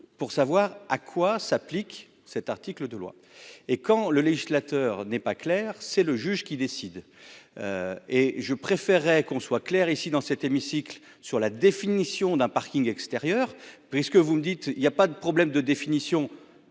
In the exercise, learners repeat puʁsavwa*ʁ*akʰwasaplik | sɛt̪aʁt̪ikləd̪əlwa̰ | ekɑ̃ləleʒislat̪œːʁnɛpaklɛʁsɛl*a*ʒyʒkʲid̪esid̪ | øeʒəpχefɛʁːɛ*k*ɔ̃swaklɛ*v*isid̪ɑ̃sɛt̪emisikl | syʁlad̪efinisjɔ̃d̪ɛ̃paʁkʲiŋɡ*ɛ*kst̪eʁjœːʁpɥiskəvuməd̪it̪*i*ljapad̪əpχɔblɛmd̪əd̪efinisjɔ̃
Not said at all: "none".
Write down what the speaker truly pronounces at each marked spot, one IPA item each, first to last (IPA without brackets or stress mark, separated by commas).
ʁ, ə, k, ʁ, ɛ, i